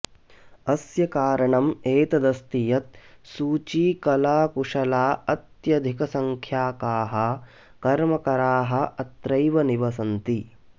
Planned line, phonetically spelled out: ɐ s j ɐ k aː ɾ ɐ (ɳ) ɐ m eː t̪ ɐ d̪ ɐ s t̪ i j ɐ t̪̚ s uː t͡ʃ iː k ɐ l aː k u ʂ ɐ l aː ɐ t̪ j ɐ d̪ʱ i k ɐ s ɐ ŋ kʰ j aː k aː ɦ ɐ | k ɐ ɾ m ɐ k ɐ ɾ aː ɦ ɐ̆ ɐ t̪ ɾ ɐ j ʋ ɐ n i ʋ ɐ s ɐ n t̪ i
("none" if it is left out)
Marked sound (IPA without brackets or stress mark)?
ɳ